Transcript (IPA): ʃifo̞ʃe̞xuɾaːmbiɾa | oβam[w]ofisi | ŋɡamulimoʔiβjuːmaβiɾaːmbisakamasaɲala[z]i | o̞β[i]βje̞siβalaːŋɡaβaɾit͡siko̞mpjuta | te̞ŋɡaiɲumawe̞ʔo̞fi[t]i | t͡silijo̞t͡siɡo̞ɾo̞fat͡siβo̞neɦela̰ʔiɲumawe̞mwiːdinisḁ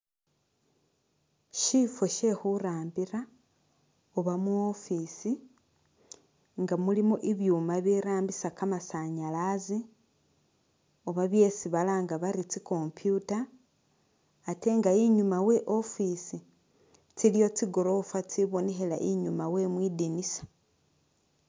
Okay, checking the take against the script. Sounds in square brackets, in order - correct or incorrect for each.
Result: incorrect, correct, incorrect, incorrect

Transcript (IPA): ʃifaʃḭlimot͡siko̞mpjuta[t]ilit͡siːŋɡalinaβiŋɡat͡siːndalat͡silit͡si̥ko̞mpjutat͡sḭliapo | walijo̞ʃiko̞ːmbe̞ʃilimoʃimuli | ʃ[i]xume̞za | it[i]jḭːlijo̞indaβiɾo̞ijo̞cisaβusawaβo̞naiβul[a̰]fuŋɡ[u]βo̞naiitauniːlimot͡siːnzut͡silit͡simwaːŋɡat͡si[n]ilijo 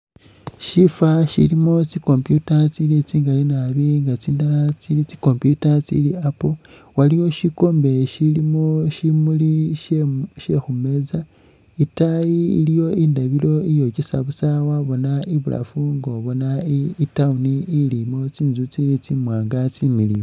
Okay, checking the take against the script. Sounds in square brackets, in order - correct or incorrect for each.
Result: incorrect, incorrect, incorrect, correct, incorrect, incorrect

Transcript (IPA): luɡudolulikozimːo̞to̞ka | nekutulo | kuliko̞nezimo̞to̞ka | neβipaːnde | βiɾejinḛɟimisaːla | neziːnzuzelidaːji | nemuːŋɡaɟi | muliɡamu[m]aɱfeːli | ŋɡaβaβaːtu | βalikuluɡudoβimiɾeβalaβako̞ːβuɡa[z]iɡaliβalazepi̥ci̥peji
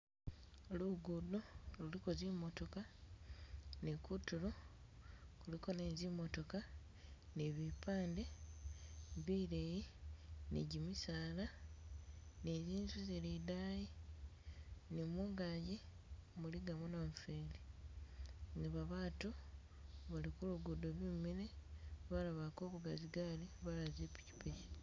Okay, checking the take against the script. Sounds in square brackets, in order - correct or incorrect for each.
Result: incorrect, correct

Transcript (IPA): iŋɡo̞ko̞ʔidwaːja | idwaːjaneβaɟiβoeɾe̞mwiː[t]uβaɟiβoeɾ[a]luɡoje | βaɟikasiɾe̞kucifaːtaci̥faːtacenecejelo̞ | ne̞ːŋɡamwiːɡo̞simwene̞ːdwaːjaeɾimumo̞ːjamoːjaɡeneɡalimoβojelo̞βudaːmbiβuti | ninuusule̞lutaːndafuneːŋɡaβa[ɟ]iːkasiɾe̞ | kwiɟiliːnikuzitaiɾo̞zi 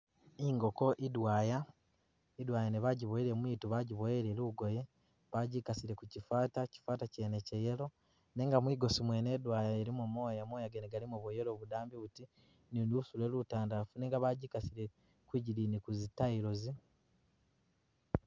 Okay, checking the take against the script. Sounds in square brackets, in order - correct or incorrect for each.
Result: correct, incorrect, correct

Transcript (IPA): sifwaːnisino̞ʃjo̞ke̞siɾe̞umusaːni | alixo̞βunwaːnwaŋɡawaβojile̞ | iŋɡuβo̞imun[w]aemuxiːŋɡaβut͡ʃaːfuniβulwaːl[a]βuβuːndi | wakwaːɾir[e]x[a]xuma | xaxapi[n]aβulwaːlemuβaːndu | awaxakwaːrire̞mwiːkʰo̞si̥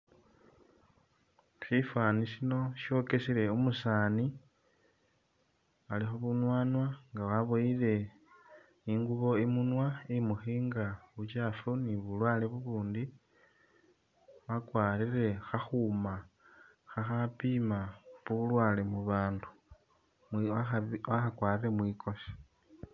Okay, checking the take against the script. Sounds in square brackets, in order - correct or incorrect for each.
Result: correct, incorrect, correct, correct, incorrect

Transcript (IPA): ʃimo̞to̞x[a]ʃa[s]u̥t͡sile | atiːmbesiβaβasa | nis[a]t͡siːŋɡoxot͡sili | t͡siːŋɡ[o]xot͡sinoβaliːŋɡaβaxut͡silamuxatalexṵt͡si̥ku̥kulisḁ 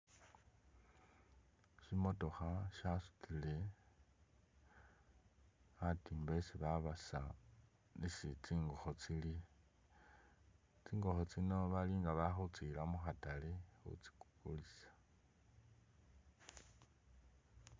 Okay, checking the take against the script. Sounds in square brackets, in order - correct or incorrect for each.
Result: correct, correct, incorrect, correct

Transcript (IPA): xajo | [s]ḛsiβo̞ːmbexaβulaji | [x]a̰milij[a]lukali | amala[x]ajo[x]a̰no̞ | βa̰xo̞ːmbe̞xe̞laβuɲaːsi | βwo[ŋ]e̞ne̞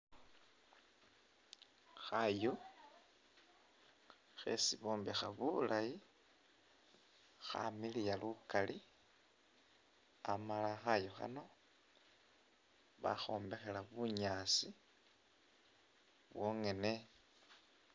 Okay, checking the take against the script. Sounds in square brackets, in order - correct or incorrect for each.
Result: incorrect, correct, correct, correct, correct, correct

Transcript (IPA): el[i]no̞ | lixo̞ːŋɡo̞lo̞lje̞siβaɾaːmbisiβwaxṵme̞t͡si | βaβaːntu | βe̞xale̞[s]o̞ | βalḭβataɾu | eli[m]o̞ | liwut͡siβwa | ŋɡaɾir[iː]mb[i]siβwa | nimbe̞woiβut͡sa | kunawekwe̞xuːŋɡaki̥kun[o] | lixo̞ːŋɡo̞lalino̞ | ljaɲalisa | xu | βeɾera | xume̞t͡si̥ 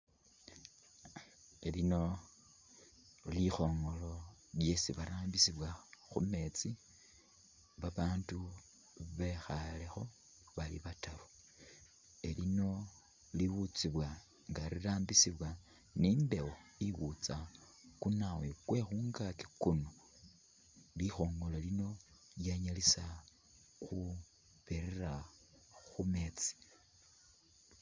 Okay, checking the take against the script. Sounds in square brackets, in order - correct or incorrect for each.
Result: correct, incorrect, incorrect, incorrect, correct, correct

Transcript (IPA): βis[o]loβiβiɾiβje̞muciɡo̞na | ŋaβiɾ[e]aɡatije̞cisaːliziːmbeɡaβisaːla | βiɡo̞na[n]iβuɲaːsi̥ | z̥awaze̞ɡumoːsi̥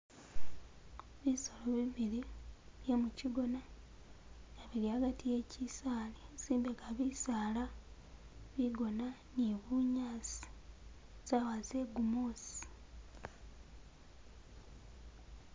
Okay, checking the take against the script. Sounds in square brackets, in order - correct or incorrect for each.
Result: correct, incorrect, correct

